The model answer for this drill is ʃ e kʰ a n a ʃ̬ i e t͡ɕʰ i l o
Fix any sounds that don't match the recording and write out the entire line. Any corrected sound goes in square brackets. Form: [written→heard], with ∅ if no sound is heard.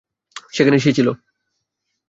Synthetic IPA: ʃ e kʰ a n [a→e] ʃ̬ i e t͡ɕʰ i l o